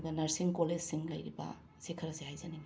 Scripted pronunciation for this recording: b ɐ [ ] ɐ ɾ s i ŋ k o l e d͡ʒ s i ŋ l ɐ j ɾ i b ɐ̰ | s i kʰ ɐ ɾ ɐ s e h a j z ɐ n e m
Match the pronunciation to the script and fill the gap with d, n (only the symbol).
n